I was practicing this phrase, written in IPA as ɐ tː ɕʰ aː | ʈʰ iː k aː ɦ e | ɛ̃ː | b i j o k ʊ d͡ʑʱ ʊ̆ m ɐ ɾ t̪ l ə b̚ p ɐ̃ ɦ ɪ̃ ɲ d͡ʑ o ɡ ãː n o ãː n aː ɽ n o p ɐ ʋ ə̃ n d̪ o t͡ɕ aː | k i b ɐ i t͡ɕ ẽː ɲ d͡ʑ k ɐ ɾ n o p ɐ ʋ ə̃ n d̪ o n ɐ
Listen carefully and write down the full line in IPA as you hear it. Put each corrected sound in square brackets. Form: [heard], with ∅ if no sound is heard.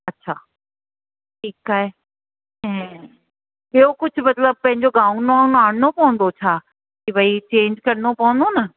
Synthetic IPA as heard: ɐ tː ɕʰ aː | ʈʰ iː k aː ɦ e | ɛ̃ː | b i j o k ʊ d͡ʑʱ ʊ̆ m ɐ [∅] t̪ l ə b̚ p ɐ̃ ɦ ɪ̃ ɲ d͡ʑ o ɡ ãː n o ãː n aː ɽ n o p ɐ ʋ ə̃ n d̪ o [t͡ɕʰ] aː | k i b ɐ i t͡ɕ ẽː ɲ d͡ʑ k ɐ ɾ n o p ɐ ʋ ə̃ n d̪ o n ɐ